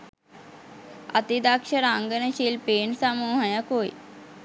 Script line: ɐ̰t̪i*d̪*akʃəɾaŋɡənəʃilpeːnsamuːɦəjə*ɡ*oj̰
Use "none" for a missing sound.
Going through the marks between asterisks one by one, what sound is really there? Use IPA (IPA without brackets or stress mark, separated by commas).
d̪, k